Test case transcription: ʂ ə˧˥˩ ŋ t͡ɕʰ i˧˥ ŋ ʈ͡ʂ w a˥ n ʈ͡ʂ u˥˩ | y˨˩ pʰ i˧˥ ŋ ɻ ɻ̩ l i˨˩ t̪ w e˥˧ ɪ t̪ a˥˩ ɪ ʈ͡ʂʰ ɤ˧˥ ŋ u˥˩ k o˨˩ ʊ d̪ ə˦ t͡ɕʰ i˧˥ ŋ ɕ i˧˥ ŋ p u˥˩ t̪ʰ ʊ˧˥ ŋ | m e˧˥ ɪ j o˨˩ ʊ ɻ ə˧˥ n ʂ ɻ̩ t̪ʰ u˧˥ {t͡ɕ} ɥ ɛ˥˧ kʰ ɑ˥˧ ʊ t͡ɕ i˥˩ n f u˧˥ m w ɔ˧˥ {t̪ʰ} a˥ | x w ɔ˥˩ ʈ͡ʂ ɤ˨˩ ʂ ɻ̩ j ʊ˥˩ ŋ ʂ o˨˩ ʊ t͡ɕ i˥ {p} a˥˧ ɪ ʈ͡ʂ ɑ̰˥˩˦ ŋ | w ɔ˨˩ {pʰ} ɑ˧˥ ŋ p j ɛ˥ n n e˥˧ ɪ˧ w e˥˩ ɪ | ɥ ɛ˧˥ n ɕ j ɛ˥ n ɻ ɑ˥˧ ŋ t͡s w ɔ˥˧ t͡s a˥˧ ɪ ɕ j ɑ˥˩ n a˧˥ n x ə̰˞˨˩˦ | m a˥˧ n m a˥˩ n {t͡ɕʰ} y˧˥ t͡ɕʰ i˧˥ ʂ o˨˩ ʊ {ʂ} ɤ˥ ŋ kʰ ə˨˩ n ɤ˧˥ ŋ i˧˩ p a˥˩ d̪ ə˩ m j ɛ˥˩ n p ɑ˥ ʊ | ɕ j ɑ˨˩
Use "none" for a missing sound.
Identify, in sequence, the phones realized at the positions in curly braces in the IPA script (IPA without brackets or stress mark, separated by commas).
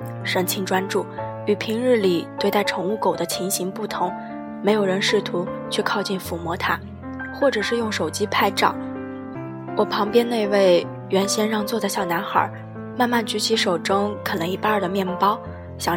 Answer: t͡ɕʰ, t̪ʰ, pʰ, pʰ, t͡ɕ, ʈ͡ʂ